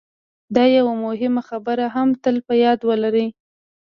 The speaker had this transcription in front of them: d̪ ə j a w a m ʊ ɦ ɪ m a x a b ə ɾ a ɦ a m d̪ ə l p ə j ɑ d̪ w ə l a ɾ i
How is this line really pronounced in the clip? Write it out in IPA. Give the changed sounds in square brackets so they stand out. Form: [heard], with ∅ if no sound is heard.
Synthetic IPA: d̪ [ɑ] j a w a m ʊ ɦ ɪ m a x a b ə ɾ a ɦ a m [t̪] ə l p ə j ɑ d̪ w ə l a ɾ i